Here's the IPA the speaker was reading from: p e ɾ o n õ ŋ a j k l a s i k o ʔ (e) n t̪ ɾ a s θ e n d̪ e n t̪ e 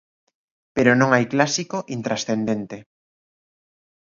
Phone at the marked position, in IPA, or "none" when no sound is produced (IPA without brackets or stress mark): i